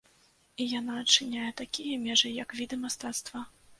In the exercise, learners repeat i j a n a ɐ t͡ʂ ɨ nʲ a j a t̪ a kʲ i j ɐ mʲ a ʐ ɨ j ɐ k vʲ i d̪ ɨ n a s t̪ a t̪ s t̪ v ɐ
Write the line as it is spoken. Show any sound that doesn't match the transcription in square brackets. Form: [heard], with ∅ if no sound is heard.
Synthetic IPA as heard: i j a n a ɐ t͡ʂ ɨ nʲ a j [ɛ] t̪ a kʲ i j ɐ mʲ [ɛ] ʐ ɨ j ɐ k vʲ i d̪ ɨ [m] a s t̪ a t̪ s t̪ v ɐ